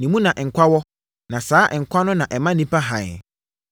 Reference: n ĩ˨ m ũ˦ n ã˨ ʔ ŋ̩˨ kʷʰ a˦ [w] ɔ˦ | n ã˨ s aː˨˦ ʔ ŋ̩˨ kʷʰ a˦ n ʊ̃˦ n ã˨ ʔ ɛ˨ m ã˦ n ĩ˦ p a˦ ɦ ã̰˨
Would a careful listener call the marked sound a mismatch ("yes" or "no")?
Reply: no